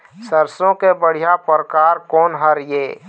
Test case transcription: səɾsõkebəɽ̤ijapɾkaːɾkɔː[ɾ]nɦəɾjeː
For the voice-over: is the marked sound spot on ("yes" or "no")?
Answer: no